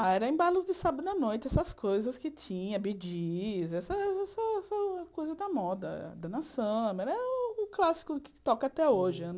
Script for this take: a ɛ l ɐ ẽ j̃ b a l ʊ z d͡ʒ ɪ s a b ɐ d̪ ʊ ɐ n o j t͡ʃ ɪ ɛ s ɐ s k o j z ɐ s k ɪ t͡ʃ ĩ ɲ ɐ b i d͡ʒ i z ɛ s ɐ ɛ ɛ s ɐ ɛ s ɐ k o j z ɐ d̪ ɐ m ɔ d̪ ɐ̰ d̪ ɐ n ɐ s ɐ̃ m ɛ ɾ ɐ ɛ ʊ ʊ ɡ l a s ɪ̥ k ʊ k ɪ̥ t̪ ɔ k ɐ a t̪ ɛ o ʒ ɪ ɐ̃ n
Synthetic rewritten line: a ɛ ɾ ɐ ẽ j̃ b a l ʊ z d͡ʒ ɪ s a b ɐ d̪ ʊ ɐ n o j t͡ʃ ɪ ɛ s ɐ s k o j z ɐ s k ɪ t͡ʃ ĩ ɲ ɐ b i d͡ʒ i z ɛ s ɐ ɛ ɛ s ɐ ɛ s ɐ k o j z ɐ d̪ ɐ m ɔ d̪ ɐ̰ d̪ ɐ n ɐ s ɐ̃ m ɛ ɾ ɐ ɛ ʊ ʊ k l a s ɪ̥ k ʊ k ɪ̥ t̪ ɔ k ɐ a t̪ ɛ o ʒ ɪ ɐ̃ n